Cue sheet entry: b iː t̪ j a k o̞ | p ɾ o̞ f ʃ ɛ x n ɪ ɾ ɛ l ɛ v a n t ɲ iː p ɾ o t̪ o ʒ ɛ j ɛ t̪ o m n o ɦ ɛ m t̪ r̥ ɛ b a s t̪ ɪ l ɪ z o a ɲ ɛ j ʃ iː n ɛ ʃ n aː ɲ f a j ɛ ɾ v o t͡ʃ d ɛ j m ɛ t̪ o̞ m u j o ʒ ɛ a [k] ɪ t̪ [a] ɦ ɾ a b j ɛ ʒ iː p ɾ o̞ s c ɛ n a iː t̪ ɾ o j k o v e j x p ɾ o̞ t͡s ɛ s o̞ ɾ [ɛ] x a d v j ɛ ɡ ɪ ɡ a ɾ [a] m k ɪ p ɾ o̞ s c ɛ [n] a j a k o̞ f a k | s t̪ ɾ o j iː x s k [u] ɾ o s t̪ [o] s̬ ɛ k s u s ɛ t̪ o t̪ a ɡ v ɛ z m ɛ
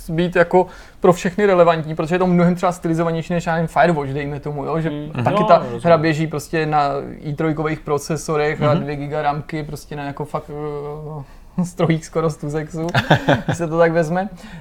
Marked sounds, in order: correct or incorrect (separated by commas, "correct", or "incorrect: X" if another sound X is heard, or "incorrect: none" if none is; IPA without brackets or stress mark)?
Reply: correct, correct, correct, correct, correct, incorrect: o, incorrect: u